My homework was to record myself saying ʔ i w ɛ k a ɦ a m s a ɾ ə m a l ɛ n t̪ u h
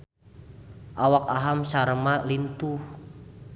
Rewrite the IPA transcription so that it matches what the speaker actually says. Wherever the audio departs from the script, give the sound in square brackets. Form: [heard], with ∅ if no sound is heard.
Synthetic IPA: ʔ [a] w [a] k a ɦ a m s a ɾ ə m a l [i] n t̪ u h